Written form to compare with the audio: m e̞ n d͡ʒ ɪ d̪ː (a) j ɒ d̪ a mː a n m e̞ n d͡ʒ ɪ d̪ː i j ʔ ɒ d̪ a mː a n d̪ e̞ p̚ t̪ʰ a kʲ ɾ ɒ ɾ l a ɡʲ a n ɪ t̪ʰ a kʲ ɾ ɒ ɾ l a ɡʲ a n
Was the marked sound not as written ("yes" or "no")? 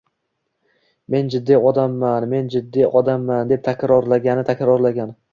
yes